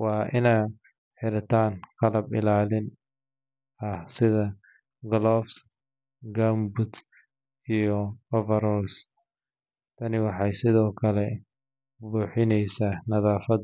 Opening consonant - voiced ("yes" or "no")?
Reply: yes